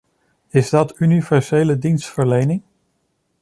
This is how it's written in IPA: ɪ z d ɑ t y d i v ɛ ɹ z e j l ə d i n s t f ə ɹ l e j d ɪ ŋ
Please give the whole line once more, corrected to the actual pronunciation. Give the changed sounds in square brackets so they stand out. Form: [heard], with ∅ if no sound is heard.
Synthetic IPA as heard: ɪ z d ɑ t y [n] i v ɛ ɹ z e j l ə d i n s t f ə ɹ l e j [n] ɪ ŋ